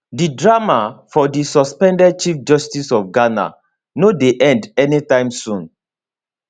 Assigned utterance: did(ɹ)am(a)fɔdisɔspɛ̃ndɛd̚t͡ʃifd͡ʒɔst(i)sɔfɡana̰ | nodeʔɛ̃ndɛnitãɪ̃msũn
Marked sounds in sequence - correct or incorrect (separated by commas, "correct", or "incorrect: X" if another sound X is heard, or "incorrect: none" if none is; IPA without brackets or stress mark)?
correct, correct, correct